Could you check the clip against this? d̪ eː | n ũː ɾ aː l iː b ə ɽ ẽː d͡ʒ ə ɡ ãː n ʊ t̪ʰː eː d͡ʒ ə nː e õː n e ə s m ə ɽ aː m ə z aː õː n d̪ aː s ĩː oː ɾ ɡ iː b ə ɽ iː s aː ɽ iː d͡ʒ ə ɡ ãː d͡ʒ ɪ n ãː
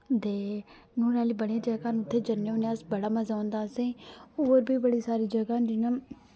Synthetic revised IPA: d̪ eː | n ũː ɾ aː l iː b ə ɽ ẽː d͡ʒ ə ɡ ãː n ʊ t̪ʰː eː d͡ʒ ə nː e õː n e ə s b ə ɽ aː m ə z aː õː n d̪ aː s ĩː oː ɾ b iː b ə ɽ iː s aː ɾ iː d͡ʒ ə ɡ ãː d͡ʒ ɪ n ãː